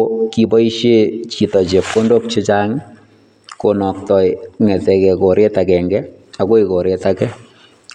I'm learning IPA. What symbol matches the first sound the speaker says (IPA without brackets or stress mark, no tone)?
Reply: k